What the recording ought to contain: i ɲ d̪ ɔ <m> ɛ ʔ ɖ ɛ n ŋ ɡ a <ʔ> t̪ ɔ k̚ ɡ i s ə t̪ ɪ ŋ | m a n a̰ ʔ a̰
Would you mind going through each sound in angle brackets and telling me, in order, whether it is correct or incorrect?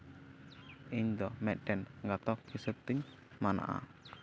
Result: correct, incorrect: none

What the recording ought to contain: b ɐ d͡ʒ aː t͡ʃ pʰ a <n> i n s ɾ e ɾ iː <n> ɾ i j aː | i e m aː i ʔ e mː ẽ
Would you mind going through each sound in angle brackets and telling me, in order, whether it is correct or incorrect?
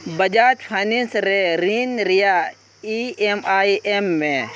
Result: correct, correct

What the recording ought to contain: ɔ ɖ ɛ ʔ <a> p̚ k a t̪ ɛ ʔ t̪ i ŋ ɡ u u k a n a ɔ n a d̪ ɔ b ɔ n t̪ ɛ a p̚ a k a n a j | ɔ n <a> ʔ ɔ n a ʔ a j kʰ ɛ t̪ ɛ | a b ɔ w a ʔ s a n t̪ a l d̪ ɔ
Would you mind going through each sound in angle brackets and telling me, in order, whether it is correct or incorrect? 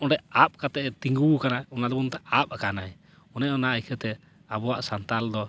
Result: correct, incorrect: ɛ

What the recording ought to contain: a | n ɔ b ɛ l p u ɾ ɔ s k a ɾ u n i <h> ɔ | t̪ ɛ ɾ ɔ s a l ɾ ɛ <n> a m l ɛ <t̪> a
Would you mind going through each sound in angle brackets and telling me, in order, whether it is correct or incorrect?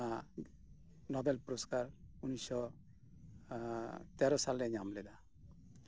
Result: incorrect: s, incorrect: ɲ, incorrect: d̪

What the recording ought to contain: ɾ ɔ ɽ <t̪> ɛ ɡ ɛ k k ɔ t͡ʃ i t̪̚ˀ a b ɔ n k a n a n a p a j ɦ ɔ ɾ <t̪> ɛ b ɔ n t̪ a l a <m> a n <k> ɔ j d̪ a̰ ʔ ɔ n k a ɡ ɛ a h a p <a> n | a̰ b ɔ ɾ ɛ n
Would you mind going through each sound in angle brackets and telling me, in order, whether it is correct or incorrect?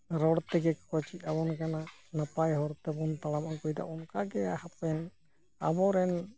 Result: correct, correct, correct, correct, incorrect: ɛ

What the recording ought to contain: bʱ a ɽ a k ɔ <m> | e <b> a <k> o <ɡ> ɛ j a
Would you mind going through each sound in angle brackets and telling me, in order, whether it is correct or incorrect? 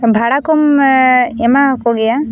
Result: correct, incorrect: m, correct, correct

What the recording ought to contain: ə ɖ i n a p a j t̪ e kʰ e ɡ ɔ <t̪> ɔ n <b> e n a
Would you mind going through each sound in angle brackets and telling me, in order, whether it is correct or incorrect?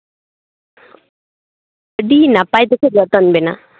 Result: correct, correct

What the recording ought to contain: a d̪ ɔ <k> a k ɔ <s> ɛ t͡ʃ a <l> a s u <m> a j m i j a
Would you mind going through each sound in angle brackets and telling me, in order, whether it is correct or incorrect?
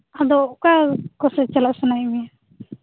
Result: correct, correct, correct, incorrect: n

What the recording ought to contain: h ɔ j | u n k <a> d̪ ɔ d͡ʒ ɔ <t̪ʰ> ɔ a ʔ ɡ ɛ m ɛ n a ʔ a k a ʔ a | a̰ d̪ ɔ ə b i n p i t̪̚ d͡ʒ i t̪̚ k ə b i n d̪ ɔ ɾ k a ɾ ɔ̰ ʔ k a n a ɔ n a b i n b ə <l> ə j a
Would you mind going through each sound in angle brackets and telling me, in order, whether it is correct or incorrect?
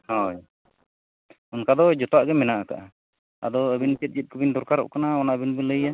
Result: correct, incorrect: t̪, correct

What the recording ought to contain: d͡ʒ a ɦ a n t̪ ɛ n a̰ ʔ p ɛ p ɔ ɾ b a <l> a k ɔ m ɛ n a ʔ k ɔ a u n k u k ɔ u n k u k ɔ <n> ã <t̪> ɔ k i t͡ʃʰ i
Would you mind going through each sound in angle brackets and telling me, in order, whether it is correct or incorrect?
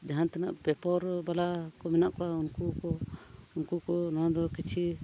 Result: correct, correct, incorrect: d̪

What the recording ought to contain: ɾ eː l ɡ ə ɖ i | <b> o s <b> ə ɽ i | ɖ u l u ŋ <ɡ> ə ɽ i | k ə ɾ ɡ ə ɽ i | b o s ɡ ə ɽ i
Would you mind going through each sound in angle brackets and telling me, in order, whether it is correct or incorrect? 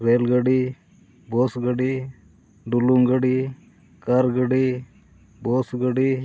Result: correct, incorrect: ɡ, correct

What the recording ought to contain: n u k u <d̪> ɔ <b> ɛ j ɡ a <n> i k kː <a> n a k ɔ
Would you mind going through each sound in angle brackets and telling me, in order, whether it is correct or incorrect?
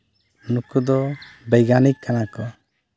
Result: correct, correct, correct, correct

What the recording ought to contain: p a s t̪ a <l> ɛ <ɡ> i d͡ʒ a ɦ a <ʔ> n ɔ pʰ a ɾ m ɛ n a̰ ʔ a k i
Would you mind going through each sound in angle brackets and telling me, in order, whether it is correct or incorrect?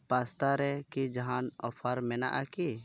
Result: incorrect: ɾ, incorrect: k, incorrect: none

